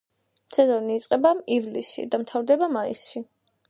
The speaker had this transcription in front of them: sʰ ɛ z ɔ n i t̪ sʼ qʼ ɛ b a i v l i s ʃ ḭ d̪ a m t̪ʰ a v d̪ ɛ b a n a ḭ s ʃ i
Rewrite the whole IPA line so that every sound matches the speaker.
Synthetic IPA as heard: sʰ ɛ z ɔ n iː t̪ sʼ qʼ ɛ b a i v l i s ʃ ḭ d̪ a m t̪ʰ a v d̪ ɛ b a m a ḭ s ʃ i